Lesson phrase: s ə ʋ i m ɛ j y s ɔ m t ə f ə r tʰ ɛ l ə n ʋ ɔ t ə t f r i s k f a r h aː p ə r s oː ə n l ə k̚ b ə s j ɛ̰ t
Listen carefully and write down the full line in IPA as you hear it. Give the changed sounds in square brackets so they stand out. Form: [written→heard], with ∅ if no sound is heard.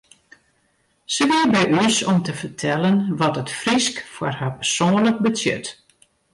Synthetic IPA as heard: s ə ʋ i [m→b] ɛ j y s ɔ m t ə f ə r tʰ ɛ l ə n ʋ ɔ t ə t f r i s k f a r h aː p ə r s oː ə n l ə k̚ b ə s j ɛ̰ t